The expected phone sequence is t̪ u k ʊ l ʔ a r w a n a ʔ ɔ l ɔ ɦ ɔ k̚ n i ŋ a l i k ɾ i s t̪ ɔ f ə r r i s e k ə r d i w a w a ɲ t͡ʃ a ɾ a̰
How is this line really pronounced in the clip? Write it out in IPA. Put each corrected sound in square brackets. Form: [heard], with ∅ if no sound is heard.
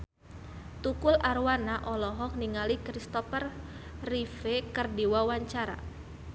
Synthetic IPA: t̪ u k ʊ l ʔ a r w a n a ʔ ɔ l ɔ ɦ ɔ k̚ n i ŋ a l i k ɾ i s t̪ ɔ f ə r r i [f] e k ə r d i w a w a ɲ t͡ʃ a ɾ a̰